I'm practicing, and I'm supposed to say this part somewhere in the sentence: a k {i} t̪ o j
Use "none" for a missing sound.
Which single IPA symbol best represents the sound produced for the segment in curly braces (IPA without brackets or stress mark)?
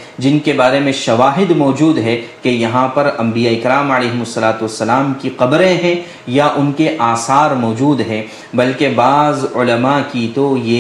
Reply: i